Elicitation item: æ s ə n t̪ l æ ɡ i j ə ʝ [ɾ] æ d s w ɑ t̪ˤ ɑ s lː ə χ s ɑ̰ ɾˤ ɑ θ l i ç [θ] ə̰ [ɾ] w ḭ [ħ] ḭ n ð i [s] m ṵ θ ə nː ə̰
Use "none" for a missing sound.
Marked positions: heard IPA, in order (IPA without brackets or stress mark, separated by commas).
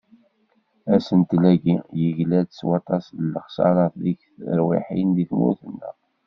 l, θ, ɾ, ħ, θ